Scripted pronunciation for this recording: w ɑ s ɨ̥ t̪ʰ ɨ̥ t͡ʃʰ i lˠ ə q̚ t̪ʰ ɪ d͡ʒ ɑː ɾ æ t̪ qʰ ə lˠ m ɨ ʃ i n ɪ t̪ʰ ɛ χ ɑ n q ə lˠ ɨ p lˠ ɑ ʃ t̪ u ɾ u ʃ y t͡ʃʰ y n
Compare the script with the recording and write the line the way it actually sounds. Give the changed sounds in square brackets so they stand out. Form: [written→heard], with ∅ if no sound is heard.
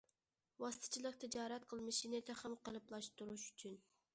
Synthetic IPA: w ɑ s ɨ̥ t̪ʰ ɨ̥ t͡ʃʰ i lˠ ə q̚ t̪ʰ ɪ d͡ʒ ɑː ɾ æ t̪ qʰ ə lˠ m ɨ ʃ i n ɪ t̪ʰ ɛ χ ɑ [n→m] q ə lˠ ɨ p lˠ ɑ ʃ t̪ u ɾ u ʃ y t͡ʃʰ y n